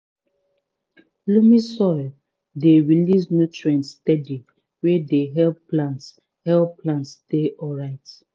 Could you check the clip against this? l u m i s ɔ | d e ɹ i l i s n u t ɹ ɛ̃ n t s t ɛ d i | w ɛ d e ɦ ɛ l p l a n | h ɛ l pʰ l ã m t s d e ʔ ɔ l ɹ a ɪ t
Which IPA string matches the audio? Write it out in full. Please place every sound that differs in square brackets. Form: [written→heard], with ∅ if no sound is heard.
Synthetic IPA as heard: l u m i s ɔ | d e ɹ i l i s n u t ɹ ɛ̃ n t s t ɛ d i | w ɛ d e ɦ ɛ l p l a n | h ɛ l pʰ l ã [m→n] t s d e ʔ ɔ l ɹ a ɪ t